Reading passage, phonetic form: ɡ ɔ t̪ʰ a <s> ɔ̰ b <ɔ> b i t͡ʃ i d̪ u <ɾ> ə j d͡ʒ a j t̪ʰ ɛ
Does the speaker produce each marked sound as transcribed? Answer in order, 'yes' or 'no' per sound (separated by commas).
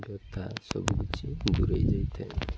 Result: yes, no, yes